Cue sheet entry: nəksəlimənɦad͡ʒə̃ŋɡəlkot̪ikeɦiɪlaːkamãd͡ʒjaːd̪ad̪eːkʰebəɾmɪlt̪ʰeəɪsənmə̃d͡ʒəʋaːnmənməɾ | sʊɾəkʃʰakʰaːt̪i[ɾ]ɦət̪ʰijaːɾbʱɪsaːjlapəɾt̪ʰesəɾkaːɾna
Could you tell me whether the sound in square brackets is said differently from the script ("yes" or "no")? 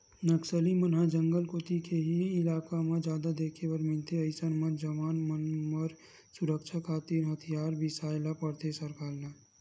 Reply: no